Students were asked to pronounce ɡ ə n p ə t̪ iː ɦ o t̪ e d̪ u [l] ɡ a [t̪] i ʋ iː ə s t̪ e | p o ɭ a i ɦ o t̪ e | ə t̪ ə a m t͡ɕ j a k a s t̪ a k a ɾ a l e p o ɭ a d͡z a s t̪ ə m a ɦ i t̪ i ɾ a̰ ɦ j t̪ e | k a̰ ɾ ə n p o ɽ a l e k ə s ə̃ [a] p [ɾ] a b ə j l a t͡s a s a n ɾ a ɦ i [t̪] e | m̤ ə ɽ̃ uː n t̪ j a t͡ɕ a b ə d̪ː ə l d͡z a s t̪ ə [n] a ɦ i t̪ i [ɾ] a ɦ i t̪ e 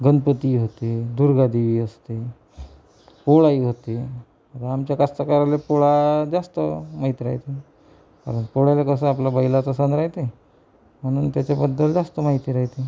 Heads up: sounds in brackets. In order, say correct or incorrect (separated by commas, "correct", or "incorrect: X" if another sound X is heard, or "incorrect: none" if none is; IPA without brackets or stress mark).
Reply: incorrect: ɾ, incorrect: d̪, correct, incorrect: l, correct, incorrect: m, correct